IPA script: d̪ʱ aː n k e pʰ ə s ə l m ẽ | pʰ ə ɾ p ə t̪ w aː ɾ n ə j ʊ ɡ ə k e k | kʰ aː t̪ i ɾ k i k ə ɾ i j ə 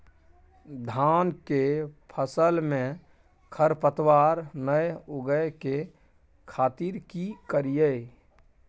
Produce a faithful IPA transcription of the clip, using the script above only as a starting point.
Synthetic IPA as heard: d̪ʱ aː n k e pʰ ə s ə l m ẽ | kʰ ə ɾ p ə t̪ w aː ɾ n ə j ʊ ɡ ə k e | kʰ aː t̪ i ɾ k i k ə ɾ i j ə